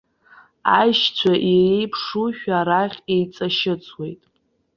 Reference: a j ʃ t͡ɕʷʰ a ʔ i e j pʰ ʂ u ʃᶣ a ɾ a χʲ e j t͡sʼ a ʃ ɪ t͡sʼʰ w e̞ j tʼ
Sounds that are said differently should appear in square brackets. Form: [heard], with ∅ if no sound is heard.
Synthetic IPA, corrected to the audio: a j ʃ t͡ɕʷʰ a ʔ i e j pʰ ʂ u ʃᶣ a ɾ a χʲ e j t͡sʼ a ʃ ɪ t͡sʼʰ w e̞ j tʼ